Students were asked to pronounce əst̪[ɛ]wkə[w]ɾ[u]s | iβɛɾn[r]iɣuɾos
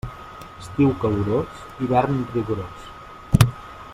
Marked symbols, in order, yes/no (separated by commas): no, yes, no, yes